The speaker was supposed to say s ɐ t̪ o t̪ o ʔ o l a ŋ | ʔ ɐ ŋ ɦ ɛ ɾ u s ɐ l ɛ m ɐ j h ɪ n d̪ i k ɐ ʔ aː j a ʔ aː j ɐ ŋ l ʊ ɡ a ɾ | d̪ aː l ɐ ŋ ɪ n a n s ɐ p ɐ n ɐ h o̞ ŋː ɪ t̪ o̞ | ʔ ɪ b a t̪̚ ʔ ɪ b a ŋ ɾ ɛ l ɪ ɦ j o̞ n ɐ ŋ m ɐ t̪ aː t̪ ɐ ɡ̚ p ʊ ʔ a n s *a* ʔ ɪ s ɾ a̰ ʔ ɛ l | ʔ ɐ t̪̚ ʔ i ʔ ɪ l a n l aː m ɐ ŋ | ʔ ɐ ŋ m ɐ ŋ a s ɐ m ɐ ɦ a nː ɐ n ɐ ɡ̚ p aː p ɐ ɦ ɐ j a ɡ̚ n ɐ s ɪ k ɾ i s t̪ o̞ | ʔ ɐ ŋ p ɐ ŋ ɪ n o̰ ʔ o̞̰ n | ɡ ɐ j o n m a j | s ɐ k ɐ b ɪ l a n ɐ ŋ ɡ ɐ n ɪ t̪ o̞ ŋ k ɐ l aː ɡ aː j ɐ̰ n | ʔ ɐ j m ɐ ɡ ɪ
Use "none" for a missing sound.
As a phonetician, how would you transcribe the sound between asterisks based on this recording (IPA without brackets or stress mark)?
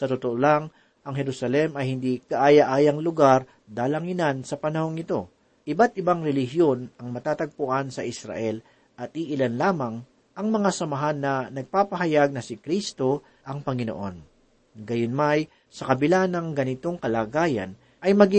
ɐ